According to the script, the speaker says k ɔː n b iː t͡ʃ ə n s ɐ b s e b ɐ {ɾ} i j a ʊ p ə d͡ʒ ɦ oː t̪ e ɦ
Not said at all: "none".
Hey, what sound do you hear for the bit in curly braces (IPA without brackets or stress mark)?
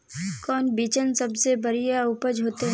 ɾ